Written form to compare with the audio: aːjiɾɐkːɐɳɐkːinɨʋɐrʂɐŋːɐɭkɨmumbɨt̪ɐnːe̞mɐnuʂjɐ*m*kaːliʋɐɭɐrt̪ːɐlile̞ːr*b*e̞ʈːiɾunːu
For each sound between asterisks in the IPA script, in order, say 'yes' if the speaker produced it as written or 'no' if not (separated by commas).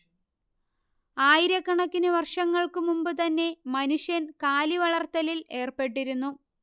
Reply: no, no